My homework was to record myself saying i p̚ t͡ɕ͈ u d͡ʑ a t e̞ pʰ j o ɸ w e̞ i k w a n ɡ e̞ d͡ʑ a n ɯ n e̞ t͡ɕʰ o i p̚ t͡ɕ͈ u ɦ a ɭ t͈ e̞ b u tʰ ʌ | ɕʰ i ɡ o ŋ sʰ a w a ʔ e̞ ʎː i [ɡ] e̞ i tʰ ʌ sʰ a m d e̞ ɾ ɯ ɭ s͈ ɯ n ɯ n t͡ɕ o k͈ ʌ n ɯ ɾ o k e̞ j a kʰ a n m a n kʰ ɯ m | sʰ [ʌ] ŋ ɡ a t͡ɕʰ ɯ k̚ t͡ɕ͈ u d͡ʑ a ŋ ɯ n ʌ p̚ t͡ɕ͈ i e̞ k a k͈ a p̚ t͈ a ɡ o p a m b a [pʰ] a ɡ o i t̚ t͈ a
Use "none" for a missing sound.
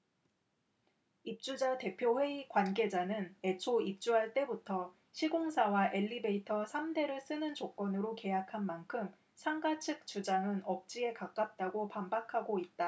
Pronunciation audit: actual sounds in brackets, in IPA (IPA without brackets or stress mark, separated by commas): b, a, kʰ